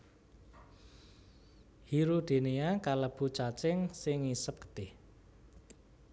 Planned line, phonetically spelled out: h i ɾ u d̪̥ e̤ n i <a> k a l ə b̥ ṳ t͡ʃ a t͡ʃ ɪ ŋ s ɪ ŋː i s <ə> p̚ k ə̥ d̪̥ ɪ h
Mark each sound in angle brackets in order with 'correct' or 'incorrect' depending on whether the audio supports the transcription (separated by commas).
correct, correct